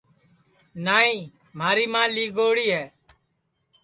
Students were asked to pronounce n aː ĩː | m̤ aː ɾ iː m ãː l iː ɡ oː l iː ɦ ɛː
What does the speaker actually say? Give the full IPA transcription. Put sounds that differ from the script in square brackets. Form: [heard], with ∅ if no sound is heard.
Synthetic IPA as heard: n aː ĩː | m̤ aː ɾ iː m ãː l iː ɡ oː [ɽ] iː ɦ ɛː